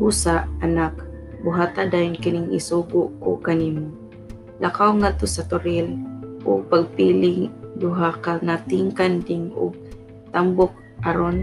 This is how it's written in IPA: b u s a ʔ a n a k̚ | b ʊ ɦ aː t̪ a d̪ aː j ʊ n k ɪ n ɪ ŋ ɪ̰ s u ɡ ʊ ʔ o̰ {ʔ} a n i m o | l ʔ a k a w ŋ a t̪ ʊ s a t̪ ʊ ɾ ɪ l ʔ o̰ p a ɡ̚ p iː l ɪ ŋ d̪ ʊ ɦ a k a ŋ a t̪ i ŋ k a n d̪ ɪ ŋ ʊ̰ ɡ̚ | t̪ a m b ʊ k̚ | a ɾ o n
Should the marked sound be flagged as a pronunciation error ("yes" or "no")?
yes